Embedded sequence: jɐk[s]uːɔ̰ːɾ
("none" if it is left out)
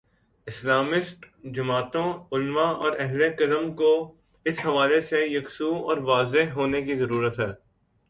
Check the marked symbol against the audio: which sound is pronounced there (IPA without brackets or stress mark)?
s